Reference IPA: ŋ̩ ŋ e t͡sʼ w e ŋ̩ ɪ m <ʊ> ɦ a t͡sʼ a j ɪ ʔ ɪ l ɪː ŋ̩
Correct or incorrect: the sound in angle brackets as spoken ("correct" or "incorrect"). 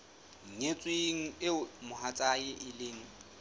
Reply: correct